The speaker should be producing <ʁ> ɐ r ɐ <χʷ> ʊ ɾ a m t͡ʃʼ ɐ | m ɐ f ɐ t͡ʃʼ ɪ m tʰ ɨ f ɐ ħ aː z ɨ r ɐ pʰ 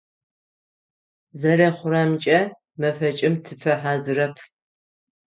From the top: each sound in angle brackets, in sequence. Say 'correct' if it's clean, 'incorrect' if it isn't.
incorrect, correct

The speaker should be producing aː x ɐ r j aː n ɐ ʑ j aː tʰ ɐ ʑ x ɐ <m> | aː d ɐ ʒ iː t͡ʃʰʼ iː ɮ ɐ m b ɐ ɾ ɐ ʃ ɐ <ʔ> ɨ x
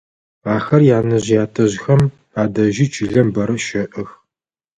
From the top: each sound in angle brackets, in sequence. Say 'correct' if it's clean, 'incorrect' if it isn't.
correct, correct

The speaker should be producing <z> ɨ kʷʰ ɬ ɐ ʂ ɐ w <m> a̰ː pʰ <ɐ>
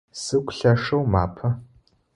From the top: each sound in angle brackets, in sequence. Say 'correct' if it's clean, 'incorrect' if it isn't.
incorrect, correct, correct

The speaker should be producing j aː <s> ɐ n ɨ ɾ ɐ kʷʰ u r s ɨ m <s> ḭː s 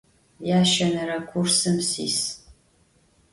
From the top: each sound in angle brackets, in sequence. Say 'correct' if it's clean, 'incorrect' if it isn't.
incorrect, correct

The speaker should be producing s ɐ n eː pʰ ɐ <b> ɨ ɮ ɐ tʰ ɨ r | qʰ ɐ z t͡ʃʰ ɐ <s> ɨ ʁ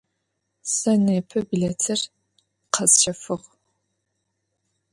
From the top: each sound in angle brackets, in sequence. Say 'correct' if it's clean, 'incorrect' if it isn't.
correct, incorrect

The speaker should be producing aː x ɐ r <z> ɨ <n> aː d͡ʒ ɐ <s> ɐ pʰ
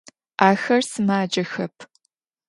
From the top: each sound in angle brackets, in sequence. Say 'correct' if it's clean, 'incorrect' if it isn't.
incorrect, incorrect, incorrect

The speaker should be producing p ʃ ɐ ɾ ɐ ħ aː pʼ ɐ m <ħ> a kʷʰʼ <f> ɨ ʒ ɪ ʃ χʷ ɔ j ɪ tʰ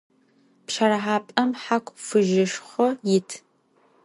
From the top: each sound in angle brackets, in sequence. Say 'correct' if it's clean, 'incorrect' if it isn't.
correct, correct

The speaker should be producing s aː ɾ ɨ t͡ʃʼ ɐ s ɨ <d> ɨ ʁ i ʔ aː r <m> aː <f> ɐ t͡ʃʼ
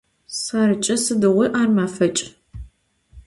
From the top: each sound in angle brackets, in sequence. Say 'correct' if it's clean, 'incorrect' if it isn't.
correct, correct, correct

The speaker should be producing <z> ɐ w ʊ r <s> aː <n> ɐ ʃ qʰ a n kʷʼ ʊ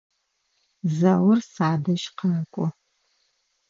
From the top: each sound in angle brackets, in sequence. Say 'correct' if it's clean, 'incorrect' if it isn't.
correct, correct, incorrect

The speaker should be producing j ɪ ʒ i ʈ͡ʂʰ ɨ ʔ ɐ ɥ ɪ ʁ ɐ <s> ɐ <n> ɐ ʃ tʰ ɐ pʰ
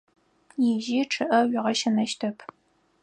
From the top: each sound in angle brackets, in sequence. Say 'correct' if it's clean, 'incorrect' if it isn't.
incorrect, correct

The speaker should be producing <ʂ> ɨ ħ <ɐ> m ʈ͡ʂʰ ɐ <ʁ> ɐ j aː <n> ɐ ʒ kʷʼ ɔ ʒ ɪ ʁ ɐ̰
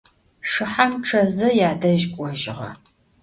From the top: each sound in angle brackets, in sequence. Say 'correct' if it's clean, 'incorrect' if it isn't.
correct, incorrect, incorrect, incorrect

